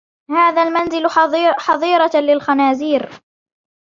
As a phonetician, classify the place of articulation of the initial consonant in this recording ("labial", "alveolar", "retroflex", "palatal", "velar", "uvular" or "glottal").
glottal